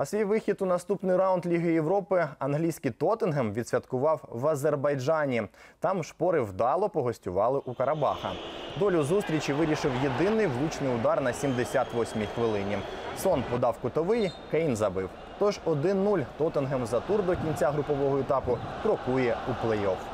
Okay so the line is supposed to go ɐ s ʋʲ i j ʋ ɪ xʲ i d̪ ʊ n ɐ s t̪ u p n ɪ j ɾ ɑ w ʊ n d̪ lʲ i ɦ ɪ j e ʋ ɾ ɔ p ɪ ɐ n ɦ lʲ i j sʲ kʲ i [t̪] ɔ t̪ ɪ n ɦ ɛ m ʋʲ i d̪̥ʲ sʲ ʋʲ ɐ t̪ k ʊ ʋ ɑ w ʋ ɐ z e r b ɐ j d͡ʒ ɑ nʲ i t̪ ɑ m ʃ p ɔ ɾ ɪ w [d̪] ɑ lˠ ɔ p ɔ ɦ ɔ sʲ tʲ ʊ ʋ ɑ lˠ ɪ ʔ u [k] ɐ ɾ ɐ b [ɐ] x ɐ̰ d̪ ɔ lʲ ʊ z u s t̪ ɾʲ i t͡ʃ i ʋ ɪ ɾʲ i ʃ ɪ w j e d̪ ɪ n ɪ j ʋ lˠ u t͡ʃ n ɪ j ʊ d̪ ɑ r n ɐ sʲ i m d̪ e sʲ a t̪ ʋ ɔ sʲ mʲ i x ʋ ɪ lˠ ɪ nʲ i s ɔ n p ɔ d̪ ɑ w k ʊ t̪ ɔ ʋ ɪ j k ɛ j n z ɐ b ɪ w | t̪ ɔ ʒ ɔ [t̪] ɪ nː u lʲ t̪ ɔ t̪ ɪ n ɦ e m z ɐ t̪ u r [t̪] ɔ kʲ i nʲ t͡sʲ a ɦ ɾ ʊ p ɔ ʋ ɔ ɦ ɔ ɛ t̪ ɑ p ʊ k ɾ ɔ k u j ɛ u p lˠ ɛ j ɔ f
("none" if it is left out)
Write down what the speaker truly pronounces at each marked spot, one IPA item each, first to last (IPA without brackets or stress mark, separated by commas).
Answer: t̪, d̪, k, ɑ, d̪, d̪